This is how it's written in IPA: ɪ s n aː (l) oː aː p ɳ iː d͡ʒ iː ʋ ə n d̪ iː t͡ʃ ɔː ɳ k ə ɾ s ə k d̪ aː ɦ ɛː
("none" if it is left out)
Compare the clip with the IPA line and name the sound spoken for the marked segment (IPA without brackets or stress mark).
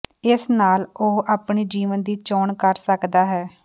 l